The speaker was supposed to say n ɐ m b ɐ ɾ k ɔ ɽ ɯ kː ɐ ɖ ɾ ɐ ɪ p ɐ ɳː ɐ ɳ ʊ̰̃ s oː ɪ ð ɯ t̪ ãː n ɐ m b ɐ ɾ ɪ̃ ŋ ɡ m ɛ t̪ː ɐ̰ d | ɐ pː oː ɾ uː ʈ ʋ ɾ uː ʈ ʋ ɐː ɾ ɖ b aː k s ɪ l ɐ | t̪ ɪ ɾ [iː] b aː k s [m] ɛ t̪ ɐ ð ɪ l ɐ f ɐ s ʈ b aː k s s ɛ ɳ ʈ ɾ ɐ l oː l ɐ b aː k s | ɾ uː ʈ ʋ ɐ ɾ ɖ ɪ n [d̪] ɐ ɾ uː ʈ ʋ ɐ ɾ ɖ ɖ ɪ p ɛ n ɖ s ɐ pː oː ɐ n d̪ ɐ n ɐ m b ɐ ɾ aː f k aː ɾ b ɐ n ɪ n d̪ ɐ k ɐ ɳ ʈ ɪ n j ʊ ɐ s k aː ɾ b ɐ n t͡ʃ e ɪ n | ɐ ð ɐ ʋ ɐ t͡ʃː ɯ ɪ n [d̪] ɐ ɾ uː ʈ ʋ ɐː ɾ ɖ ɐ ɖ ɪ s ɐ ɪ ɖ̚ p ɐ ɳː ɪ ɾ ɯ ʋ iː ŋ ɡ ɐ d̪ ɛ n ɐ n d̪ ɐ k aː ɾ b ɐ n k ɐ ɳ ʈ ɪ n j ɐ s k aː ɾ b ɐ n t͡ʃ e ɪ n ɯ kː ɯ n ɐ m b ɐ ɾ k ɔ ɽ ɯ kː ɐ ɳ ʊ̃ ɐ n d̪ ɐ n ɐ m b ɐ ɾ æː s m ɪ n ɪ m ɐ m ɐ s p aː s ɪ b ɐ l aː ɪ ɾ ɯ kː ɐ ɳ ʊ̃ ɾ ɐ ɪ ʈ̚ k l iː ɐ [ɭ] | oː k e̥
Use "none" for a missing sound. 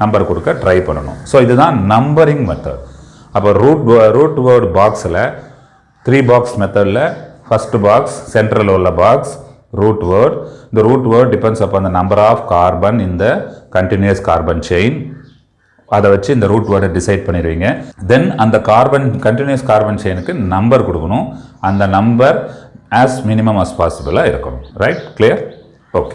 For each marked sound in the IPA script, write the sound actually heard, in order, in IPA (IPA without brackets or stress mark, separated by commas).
iː, m, d̪, d̪, ɾ